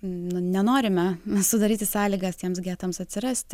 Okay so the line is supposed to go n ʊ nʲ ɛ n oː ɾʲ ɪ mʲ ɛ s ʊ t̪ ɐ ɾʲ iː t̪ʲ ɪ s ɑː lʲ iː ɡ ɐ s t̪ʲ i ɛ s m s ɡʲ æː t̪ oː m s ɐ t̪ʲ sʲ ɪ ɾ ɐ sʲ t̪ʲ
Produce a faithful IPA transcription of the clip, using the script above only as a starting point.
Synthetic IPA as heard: n ʊ nʲ ɛ n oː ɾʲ ɪ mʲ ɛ s ʊ d̪ ɐ ɾʲ iː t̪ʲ ɪ s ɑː lʲ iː ɡ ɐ s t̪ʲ i ɛ m s ɡʲ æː t̪ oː m s ɐ t̪ʲ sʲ ɪ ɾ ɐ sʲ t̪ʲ